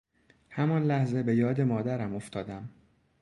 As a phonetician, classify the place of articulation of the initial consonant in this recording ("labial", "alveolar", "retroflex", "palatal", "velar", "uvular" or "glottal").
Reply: glottal